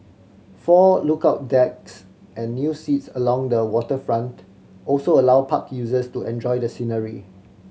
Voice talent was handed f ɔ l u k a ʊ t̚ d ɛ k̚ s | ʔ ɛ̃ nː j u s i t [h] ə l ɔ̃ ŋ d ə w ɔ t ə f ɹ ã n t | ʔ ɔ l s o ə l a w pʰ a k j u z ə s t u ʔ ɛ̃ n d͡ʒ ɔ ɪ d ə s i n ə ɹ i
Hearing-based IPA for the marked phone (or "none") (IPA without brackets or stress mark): s